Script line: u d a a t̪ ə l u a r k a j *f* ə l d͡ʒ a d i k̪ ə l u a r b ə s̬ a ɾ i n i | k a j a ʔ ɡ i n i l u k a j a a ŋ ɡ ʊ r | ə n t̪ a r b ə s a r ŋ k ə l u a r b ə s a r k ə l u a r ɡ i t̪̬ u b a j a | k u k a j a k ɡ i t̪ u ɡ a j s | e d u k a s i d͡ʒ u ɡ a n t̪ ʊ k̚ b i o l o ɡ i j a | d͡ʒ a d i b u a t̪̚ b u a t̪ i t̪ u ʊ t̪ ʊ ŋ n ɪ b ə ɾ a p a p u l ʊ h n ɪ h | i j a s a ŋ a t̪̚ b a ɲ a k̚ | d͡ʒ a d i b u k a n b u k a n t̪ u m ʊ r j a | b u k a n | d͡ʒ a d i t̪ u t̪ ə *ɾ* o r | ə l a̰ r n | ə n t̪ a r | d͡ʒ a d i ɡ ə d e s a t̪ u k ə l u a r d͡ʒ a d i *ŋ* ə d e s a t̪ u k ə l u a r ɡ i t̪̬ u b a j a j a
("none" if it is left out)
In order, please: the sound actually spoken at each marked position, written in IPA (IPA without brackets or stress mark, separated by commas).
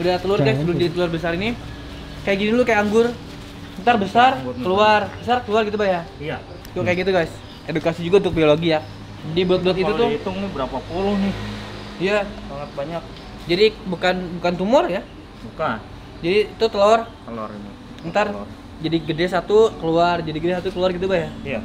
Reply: s, l, ɡ